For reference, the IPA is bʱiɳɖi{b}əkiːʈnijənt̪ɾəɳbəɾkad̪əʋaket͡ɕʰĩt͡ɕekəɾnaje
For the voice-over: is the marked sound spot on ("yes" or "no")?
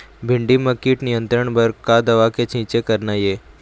no